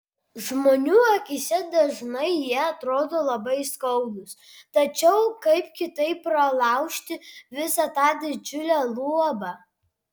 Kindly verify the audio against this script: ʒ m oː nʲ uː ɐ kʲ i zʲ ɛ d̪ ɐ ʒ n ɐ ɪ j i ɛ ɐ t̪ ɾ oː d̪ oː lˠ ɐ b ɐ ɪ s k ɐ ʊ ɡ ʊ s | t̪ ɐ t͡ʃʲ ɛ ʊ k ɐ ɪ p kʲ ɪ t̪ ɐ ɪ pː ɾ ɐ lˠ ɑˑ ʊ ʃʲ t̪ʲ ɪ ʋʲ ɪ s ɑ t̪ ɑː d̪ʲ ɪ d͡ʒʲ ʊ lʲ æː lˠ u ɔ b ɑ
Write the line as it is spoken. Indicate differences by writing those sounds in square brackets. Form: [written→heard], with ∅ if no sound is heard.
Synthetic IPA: ʒ m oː nʲ uː ɐ kʲ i [zʲ→sʲ] ɛ d̪ ɐ ʒ n ɐ ɪ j i ɛ ɐ t̪ ɾ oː d̪ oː lˠ ɐ b ɐ ɪ s k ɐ ʊ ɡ ʊ s | t̪ ɐ t͡ʃʲ ɛ ʊ k ɐ ɪ p kʲ ɪ t̪ ɐ ɪ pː ɾ ɐ lˠ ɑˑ ʊ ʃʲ t̪ʲ ɪ ʋʲ ɪ s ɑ t̪ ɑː d̪ʲ ɪ d͡ʒʲ ʊ lʲ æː lˠ u ɔ b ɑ